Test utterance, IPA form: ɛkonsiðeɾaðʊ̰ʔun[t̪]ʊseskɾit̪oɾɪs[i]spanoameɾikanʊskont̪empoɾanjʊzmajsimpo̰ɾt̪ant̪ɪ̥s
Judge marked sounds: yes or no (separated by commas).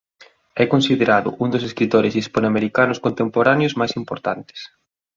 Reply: no, yes